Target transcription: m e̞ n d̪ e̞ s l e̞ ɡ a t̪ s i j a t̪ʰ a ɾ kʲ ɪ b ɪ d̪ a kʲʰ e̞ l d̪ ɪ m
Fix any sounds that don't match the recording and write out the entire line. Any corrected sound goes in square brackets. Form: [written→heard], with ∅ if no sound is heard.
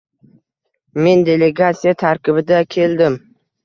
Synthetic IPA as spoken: m e̞ n d̪ e̞ [s→∅] l e̞ ɡ a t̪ s i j a t̪ʰ a ɾ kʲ ɪ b ɪ d̪ a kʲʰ e̞ l d̪ ɪ m